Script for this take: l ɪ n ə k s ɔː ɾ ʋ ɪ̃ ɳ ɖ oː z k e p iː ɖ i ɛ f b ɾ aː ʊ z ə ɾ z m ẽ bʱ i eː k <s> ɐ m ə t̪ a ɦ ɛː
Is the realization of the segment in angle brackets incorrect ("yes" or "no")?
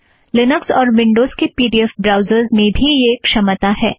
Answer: yes